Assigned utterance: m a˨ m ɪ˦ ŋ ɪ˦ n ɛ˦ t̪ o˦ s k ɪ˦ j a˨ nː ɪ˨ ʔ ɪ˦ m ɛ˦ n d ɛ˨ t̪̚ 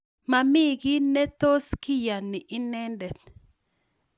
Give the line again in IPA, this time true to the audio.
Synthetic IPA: m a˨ m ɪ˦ ɡ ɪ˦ n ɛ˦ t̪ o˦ s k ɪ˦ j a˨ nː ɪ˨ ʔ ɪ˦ n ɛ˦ n d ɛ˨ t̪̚